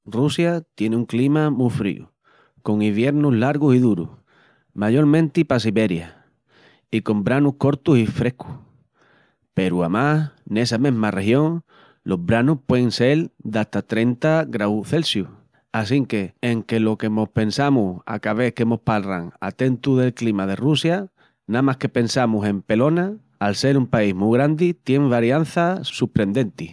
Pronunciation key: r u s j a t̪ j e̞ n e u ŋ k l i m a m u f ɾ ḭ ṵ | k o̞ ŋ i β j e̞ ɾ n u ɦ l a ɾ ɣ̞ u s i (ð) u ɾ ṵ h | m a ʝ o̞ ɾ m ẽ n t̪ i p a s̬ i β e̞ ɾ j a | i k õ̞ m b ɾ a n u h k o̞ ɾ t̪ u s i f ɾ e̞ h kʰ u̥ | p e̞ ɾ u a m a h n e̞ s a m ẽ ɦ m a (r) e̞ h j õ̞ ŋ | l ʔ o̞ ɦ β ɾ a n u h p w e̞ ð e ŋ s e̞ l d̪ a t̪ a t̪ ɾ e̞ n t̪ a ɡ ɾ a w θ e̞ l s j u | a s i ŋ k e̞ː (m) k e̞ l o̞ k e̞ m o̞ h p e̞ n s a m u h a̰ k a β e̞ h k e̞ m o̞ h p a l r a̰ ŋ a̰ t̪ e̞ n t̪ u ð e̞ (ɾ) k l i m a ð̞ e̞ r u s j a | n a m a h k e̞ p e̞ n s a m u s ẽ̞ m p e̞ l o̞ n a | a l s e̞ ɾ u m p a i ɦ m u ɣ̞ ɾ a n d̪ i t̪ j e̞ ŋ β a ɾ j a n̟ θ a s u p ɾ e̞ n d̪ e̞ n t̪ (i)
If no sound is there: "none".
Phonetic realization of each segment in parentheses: ð, r, ŋ, l, i

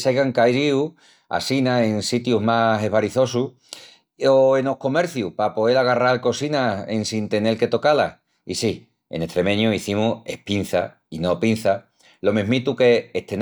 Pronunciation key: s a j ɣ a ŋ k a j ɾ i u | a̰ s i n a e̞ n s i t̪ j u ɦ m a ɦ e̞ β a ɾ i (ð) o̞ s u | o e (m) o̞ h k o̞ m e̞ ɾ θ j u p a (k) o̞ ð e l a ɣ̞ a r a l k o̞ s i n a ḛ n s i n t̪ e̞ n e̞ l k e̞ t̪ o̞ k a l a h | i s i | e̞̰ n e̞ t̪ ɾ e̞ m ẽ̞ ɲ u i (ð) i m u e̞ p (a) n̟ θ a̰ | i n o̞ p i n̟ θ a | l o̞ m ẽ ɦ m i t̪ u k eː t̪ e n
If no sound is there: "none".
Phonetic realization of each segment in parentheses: θ, n, p, θ, i

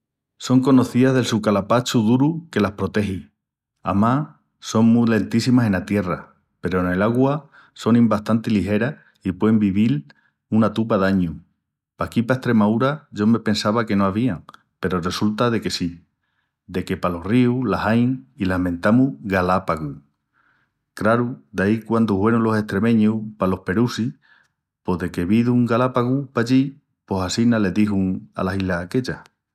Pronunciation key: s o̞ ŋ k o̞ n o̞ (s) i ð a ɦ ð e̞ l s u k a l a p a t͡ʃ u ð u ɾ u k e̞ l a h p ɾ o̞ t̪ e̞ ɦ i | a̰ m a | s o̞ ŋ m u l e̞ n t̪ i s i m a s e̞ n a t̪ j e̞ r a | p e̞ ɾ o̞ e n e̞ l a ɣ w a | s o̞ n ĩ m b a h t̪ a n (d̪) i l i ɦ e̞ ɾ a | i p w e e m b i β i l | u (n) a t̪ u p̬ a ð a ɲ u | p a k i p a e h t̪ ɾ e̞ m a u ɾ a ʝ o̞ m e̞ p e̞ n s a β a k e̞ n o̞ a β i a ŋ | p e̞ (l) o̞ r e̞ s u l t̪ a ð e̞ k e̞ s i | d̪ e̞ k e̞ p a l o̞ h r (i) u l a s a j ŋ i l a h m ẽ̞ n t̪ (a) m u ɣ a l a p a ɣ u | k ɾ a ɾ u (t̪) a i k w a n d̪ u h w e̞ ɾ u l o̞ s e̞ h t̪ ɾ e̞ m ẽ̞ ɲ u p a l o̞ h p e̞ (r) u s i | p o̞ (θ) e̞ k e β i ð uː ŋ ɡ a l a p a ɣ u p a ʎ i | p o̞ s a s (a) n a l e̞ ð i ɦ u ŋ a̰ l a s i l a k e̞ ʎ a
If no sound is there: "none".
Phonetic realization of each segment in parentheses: θ, t̪, n, ɾ, i, a, d̪, ɾ, ð, i

